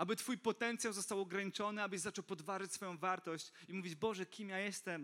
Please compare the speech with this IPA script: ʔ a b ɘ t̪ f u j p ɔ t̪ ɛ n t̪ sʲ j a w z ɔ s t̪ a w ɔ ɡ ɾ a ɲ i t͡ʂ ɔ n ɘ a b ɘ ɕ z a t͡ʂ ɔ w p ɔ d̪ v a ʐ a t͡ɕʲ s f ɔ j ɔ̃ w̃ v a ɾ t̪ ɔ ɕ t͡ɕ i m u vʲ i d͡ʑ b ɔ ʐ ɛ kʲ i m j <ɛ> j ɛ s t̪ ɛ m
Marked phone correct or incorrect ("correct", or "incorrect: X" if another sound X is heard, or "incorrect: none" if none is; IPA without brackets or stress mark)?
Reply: incorrect: a